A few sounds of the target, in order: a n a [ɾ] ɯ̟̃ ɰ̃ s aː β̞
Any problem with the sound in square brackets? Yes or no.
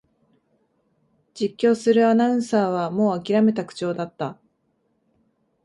yes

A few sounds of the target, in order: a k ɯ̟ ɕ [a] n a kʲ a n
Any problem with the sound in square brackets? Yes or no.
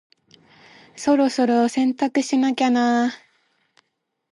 yes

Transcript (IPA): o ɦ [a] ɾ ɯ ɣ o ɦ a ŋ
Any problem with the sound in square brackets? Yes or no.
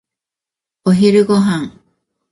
yes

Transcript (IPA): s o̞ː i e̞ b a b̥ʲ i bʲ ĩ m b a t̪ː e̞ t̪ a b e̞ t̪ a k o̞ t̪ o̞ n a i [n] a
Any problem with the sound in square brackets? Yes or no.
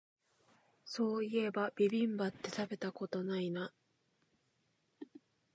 no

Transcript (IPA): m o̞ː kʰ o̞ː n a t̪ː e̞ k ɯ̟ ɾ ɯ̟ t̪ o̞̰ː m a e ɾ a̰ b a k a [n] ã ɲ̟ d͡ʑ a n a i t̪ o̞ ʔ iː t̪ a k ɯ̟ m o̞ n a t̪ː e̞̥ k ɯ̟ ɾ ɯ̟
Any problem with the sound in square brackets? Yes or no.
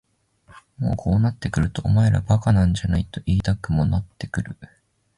no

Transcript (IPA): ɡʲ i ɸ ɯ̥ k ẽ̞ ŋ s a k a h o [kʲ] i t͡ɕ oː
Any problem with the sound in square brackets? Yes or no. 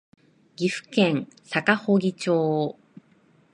yes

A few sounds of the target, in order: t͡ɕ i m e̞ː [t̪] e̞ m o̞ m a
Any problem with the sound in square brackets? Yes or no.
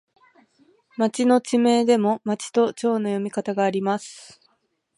yes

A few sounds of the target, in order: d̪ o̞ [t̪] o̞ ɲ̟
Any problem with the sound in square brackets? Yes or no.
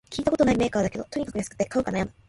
no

